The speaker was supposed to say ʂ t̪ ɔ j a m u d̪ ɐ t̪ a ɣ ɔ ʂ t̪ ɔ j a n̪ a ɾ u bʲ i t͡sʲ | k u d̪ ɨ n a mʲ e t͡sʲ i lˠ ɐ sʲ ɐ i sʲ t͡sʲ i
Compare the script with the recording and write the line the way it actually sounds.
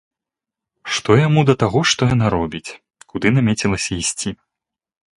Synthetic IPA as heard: ʂ t̪ ɔ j a m u d̪ ɐ t̪ a ɣ ɔ ʂ t̪ ɔ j a n̪ a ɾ ɔ bʲ i t͡sʲ | k u d̪ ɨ n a mʲ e t͡sʲ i lˠ ɐ sʲ ɐ i sʲ t͡sʲ i